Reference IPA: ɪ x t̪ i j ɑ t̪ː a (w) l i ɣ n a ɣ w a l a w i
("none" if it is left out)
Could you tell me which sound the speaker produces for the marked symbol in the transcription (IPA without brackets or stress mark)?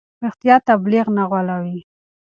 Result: b